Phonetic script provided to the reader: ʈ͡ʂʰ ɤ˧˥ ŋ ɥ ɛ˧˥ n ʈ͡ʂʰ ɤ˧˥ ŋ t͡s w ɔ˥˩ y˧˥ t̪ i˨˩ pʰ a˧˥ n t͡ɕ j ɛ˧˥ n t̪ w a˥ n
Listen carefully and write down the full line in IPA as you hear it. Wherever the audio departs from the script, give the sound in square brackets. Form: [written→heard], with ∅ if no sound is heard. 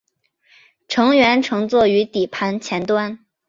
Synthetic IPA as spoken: ʈ͡ʂʰ ɤ˧˥ ŋ ɥ ɛ˧˥ n ʈ͡ʂʰ ɤ˧˥ ŋ t͡s w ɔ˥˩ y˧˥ t̪ i˨˩ pʰ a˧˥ n [t͡ɕ→t͡ɕʰ] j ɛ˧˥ n t̪ w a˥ n